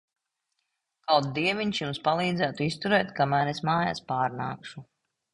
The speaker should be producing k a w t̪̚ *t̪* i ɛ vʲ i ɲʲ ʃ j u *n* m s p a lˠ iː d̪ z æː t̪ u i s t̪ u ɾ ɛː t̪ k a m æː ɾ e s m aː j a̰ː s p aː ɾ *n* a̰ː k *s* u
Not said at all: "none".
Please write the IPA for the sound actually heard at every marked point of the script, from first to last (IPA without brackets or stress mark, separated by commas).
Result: d̪, none, n, ʃ